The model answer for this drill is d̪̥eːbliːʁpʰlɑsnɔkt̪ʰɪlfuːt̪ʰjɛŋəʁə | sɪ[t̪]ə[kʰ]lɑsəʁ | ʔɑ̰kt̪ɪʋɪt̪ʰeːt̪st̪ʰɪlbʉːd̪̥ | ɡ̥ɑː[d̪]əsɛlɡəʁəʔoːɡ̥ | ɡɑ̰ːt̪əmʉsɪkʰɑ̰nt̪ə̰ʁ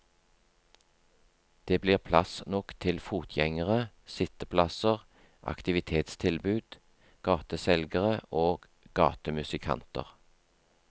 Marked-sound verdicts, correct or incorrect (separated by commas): correct, incorrect, incorrect